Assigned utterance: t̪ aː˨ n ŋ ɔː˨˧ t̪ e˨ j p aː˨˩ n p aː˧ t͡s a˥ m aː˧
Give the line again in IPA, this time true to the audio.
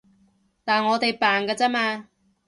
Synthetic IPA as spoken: t̪ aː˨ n ŋ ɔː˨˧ t̪ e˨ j p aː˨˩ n k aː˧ t͡s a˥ m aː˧

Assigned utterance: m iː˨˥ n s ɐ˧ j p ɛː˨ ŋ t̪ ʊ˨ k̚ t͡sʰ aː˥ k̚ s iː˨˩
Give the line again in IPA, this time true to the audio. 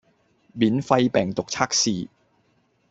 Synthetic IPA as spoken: m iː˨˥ n f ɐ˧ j p ɛː˨ ŋ t̪ ʊ˨ k̚ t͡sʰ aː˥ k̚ s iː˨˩

